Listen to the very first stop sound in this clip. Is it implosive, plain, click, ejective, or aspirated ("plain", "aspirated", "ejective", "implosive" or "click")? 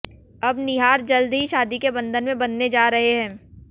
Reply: plain